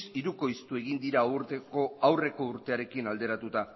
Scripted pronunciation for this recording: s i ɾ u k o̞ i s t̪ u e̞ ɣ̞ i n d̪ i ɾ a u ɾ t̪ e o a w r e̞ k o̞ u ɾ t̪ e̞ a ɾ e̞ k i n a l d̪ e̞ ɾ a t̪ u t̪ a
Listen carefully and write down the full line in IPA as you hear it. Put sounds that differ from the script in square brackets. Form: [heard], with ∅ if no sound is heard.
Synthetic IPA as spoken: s i ɾ u k o̞ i s t̪ u e̞ ɣ̞ i n d̪ i ɾ a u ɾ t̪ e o a w r e̞ k o̞ u ɾ t̪ e̞ a ɾ e̞ k i n a l d̪ e̞ ɾ a t̪ u t̪ a